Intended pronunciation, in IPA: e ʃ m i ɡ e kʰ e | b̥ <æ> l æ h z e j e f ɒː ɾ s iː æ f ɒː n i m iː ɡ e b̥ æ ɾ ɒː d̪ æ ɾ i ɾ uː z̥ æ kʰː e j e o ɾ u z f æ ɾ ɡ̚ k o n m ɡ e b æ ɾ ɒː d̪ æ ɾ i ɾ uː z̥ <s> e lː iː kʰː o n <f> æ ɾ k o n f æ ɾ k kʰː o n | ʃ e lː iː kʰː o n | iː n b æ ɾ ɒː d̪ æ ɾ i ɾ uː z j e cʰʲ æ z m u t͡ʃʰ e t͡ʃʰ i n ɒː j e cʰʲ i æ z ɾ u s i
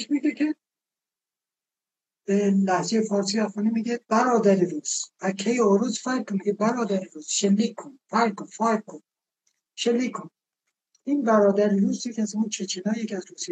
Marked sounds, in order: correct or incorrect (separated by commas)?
incorrect, incorrect, correct